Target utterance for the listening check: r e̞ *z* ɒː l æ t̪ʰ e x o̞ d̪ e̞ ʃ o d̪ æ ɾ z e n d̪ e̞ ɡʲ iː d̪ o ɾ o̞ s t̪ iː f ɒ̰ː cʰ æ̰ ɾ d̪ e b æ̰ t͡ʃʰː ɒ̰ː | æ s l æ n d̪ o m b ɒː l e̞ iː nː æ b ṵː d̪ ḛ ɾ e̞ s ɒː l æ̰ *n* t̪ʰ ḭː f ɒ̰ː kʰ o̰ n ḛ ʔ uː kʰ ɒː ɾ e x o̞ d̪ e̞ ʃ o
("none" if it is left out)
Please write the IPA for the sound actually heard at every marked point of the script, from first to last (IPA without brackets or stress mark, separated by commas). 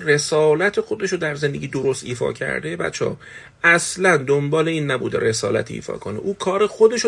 s, none